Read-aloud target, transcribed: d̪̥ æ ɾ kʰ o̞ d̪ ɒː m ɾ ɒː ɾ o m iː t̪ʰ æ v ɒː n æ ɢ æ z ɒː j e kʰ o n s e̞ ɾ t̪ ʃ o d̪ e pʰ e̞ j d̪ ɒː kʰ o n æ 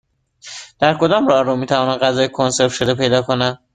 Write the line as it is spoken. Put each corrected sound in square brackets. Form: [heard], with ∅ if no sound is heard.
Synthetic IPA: d̪̥ æ ɾ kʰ o̞ d̪ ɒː m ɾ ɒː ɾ o m iː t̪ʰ æ v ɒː n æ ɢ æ z ɒː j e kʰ o n s e̞ ɾ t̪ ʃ o d̪ e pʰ e̞ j d̪ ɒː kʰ o n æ